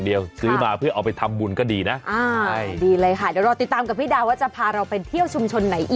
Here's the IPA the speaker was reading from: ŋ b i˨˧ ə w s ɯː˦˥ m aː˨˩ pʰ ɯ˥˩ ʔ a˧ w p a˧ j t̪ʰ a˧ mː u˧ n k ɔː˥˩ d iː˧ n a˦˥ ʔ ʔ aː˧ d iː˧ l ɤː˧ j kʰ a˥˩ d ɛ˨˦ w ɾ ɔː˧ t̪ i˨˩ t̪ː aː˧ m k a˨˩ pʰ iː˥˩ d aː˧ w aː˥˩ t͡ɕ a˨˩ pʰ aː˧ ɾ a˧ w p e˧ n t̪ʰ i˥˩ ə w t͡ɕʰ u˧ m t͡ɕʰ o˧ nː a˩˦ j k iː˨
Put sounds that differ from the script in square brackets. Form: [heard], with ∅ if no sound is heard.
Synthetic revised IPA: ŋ [d] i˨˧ ə w s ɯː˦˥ m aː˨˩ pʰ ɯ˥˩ ʔ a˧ w p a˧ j t̪ʰ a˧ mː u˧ n k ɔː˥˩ d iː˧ n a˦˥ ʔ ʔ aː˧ d iː˧ l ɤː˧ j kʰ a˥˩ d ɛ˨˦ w ɾ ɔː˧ t̪ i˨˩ t̪ː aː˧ m k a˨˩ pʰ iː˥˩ d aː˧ w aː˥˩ t͡ɕ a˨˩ pʰ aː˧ ɾ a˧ w p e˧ n t̪ʰ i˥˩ ə w t͡ɕʰ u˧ m t͡ɕʰ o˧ nː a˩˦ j [ʔ] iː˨